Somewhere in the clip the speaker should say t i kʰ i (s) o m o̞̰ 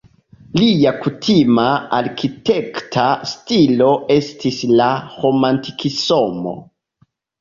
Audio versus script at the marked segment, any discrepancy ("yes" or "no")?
no